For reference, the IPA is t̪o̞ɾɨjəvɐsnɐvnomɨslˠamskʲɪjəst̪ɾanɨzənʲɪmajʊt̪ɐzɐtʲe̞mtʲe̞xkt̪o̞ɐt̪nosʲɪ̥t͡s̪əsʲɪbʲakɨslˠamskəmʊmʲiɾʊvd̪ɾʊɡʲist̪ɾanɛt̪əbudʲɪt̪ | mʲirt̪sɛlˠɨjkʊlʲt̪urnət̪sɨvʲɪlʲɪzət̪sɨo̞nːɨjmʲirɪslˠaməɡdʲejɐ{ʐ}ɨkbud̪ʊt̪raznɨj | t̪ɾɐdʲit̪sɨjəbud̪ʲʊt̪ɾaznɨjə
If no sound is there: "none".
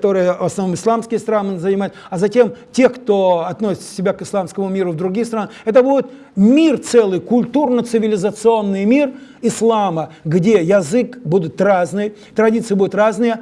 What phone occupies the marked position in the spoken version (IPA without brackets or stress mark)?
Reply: z